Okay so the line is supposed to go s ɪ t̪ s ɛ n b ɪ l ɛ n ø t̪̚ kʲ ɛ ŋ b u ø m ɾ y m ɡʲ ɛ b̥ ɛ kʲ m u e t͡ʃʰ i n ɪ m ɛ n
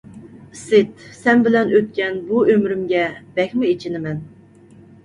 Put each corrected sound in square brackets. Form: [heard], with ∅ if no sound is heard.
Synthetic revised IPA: s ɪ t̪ s ɛ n b ɪ l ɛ n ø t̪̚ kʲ ɛ [n] b u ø m ɾ y m ɡʲ ɛ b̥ ɛ kʲ m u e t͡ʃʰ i n ɪ m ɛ n